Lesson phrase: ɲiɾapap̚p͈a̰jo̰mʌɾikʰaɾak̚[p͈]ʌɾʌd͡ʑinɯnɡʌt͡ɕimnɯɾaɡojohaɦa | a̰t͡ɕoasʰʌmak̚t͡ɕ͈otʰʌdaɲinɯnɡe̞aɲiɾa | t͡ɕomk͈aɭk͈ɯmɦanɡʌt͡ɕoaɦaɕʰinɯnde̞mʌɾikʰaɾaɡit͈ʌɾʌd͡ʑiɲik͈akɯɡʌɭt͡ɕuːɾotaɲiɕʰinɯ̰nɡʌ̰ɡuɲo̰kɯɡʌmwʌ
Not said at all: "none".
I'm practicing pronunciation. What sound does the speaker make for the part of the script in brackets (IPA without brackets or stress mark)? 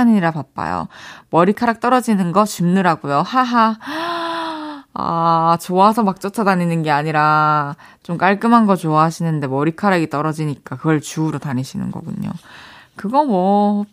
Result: t͈